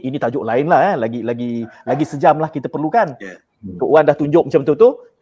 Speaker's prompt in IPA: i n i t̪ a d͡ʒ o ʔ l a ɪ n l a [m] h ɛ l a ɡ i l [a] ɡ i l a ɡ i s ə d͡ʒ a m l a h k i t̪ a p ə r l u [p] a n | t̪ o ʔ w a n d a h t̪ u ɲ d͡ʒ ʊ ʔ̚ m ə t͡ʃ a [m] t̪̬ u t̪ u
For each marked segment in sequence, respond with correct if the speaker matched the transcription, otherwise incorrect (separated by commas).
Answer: incorrect, correct, incorrect, correct